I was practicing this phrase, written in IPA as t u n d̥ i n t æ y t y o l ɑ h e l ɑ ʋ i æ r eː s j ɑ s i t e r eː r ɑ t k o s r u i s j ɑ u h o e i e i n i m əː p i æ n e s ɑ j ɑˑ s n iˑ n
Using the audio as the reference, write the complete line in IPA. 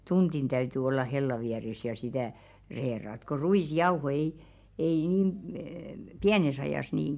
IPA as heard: t u n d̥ i n t æ y t y o lː ɑ h e lː ɑ ʋ i æ r e s j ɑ s i t æ r eː r ɑ t k o r u i s j ɑ u h o e i e i n iː m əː p i æ n e s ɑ j ɑˑ s n iˑ n